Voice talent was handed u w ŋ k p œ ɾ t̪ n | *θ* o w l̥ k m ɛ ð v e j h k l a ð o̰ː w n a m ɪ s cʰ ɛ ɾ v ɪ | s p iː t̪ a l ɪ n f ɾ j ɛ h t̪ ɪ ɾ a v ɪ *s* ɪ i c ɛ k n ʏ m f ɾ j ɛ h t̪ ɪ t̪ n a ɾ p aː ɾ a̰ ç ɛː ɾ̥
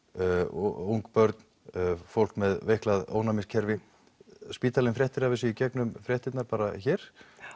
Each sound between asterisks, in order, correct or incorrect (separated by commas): incorrect, correct